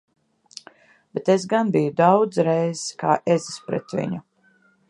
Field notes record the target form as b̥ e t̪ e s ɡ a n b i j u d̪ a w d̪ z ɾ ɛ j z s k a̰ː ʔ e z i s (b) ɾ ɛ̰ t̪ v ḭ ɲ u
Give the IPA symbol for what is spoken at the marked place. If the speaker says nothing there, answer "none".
p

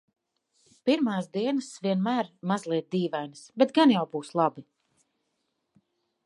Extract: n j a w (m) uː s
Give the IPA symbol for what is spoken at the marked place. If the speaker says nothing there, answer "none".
b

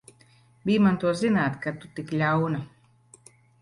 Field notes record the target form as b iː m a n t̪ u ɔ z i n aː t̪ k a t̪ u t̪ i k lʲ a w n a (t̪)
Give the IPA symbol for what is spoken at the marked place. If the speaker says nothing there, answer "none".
none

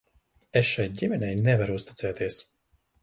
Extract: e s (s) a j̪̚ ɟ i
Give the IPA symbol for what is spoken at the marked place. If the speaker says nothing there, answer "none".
ʃ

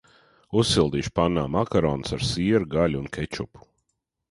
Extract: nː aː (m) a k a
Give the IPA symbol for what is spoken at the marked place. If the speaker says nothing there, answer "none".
m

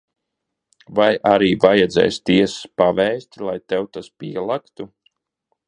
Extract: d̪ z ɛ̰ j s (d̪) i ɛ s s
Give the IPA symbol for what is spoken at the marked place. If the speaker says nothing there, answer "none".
t̪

